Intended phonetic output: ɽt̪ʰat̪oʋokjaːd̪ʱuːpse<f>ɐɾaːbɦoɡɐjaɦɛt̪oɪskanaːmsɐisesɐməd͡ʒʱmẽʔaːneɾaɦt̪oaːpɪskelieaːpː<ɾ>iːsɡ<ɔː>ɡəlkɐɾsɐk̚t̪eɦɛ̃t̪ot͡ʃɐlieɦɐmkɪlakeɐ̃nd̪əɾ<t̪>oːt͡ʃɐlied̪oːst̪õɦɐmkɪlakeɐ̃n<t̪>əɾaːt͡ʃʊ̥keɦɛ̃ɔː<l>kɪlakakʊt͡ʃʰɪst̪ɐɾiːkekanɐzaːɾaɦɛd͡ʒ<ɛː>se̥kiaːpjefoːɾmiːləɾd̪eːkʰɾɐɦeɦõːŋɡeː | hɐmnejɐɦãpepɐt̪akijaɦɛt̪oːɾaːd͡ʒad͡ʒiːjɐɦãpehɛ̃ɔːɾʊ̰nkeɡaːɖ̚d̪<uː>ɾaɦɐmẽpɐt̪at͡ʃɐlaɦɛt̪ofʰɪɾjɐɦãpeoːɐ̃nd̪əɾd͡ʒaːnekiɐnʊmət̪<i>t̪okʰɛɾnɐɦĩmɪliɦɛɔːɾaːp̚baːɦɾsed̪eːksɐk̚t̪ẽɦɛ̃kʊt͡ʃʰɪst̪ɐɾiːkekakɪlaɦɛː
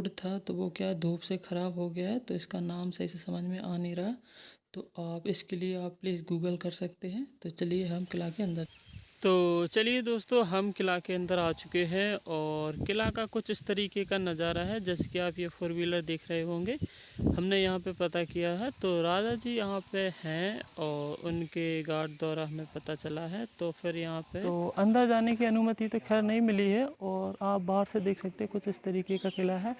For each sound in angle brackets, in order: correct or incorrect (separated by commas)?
incorrect, incorrect, incorrect, correct, incorrect, incorrect, correct, incorrect, correct